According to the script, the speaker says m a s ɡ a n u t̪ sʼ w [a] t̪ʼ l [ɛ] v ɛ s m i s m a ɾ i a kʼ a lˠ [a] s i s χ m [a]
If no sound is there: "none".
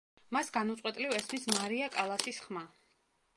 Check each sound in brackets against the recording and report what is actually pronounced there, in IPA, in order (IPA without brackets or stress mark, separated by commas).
ɛ, i, a, a